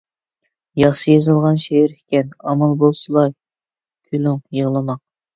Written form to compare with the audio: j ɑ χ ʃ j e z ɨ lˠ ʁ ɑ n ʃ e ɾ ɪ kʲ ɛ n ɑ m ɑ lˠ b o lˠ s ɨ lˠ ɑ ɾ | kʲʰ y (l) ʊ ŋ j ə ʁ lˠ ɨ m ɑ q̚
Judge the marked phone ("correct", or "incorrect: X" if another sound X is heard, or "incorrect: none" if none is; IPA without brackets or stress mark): correct